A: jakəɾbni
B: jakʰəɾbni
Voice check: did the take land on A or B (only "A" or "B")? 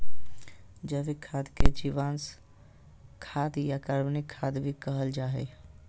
A